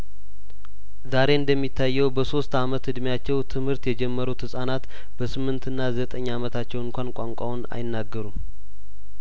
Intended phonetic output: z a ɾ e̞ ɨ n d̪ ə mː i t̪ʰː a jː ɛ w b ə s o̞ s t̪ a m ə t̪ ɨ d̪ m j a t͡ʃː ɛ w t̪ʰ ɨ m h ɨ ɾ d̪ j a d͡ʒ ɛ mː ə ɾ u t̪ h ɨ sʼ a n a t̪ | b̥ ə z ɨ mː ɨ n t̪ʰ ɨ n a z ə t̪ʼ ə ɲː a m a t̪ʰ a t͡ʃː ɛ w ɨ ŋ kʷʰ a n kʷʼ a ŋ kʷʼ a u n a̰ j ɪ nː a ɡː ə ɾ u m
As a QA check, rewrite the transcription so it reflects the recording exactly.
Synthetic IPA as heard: z a ɾ e̞ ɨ n d̪ ə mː i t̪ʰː a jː ɛ w b ə s o̞ s t̪ a m ə t̪ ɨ d̪ m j a t͡ʃː ɛ w t̪ʰ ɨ m h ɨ ɾ t̪ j ɛ d͡ʒ ɛ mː ə ɾ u t̪ h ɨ sʼ a n a t̪ | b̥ ə s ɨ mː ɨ n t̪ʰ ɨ nː a z ə t̪ʼ ə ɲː a m ə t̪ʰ a t͡ʃː ɛ w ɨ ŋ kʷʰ a n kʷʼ a ŋ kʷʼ a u n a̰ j ɪ nː a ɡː ə ɾ u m